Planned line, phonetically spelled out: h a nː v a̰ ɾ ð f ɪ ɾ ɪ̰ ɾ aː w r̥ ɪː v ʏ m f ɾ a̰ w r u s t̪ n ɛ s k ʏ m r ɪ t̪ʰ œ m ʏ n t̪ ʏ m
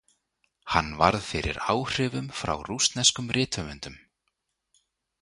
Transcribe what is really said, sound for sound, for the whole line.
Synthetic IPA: h a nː v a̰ ɾ ð f ɪ ɾ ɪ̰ ɾ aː w r̥ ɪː v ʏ m f ɾ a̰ w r u s t̪ n ɛ s k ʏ m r ɪː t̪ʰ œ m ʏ n t̪ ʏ m